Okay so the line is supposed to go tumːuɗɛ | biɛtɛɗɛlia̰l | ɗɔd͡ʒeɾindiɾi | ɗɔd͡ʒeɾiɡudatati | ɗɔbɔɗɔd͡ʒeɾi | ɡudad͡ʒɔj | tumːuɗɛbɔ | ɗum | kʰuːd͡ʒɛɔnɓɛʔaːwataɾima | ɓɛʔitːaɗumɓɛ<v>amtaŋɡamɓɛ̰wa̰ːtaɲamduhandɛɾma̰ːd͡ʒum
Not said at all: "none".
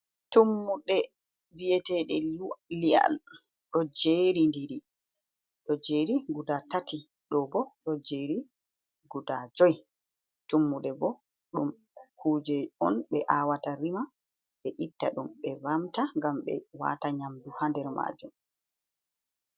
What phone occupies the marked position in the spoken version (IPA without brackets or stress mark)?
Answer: v